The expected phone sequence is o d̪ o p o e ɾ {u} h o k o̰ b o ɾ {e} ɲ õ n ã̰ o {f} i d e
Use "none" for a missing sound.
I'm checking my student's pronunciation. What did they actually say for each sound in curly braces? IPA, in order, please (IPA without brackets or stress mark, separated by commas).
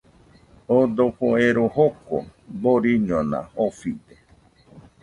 o, i, f